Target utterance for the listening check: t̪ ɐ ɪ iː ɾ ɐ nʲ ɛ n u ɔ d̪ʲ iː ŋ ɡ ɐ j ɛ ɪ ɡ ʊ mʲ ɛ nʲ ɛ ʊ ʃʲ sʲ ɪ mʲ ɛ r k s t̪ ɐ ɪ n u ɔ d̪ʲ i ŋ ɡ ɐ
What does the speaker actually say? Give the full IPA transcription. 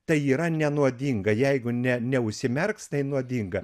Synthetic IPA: t̪ ɐ ɪ iː ɾ ɐ nʲ ɛ n u ɔ d̪ʲ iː ŋ ɡ ɐ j ɛ ɪ ɡ ʊ nʲ ɛ nʲ ɛ ʊ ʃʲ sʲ ɪ mʲ ɛ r k s t̪ ɐ ɪ n u ɔ d̪ʲ i ŋ ɡ ɐ